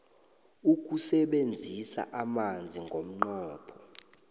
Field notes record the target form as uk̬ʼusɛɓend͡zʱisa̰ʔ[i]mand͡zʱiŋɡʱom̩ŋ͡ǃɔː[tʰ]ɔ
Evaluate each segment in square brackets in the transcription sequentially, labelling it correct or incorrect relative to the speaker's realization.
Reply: incorrect, incorrect

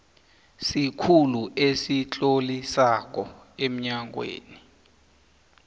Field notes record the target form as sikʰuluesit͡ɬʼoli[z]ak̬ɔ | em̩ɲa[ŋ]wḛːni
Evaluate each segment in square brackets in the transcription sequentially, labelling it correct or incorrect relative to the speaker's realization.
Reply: incorrect, correct

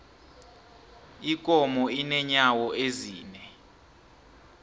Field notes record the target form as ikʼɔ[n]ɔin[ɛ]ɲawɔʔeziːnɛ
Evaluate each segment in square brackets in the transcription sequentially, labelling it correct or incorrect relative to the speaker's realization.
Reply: incorrect, correct

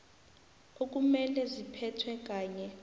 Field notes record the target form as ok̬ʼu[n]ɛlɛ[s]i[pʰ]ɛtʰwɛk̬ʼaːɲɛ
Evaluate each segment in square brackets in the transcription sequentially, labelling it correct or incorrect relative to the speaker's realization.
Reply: incorrect, incorrect, correct

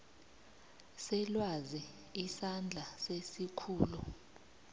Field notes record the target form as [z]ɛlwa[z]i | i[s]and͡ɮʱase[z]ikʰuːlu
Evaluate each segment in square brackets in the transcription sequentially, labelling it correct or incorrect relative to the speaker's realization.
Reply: incorrect, correct, correct, incorrect

